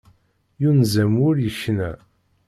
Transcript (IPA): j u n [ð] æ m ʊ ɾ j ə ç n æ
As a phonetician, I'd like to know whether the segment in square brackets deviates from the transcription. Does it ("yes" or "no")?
yes